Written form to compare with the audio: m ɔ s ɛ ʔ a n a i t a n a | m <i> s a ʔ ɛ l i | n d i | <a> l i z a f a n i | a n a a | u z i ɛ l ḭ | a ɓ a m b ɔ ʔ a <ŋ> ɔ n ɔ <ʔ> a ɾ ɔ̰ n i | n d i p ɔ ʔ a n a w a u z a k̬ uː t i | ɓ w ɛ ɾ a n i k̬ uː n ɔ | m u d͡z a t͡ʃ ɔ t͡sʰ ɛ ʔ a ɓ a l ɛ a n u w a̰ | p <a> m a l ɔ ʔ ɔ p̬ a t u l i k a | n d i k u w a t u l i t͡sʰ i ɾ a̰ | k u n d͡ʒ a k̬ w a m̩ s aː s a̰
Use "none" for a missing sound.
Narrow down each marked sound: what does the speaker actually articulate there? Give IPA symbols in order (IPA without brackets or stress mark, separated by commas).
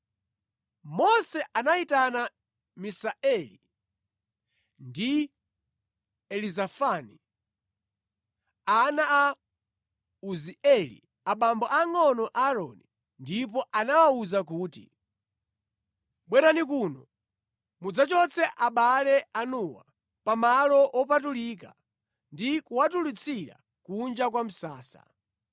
i, ɛ, ŋ, ʔ, a